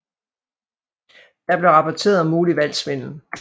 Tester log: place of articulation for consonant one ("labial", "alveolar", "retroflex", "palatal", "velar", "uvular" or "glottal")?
alveolar